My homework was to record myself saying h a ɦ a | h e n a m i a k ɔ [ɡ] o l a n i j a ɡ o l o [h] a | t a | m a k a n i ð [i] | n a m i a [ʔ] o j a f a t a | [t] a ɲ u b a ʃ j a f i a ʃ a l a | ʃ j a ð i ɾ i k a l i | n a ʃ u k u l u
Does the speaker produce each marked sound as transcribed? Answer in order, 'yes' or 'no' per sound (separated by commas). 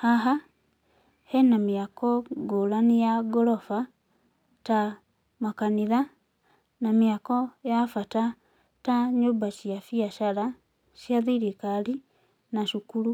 yes, no, no, no, yes